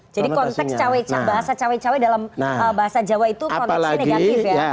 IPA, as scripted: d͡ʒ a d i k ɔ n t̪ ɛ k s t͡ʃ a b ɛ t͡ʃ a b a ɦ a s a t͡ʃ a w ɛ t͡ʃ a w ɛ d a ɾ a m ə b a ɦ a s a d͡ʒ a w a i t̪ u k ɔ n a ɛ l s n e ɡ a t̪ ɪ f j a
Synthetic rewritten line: d͡ʒ a d i k ɔ n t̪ ɛ k s t͡ʃ a w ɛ t͡ʃ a b a ɦ a s a t͡ʃ a w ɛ t͡ʃ a w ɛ d a l a m ə b a ɦ a s a d͡ʒ a w a i t̪ u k ɔ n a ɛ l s n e ɡ a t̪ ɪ f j a

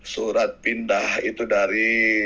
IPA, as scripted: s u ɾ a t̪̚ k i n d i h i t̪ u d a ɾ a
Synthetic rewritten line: s u ɾ a t̪̚ p i n d a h i t̪ u d a ɾ i

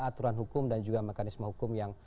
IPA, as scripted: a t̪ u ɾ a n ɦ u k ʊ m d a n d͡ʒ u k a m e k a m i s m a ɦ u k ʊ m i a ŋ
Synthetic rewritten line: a t̪ u ɾ a n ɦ u k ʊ m d a n d͡ʒ u ɡ a m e k a n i s m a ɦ u k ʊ m j a ŋ

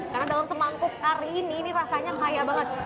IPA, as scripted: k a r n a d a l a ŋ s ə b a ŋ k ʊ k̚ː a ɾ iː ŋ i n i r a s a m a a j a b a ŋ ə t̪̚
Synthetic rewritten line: k a r n a d a l a m s ə m a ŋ k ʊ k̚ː a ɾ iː n i n i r a s a ɲ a a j a b a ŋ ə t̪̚

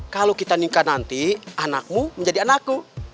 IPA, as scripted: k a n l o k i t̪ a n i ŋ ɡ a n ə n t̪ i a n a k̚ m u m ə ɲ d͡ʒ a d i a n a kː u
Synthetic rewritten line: k a l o k i t̪ a n i ŋ k a n a n t̪ i a n a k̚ m u m ə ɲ d͡ʒ a d i a n a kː u

